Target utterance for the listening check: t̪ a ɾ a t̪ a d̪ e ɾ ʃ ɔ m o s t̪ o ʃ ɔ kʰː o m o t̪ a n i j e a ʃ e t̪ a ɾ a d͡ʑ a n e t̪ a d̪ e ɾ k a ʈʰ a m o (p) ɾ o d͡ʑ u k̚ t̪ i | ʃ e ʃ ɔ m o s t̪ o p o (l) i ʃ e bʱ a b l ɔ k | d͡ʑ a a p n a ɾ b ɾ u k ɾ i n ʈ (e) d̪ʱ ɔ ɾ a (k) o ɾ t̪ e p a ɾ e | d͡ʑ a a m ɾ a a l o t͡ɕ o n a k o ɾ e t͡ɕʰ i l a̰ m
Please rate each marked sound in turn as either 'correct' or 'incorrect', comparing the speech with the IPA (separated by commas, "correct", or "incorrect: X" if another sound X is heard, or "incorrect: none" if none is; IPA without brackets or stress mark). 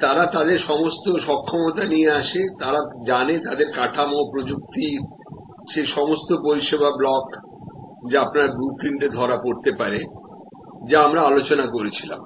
correct, incorrect: ɾ, correct, incorrect: p